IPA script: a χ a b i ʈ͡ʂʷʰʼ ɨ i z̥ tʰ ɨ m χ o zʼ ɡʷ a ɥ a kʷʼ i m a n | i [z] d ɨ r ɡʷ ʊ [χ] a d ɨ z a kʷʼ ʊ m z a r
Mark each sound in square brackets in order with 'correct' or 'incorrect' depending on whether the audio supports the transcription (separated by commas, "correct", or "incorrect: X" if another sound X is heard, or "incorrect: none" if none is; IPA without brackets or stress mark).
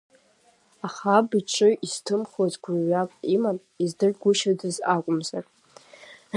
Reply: correct, incorrect: ʃ